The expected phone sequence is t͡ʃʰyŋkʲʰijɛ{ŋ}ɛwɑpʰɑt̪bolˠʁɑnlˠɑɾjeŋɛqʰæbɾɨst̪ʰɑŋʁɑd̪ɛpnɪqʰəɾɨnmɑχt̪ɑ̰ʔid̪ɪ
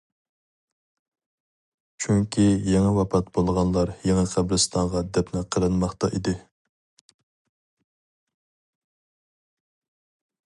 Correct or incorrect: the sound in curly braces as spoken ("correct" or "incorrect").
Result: correct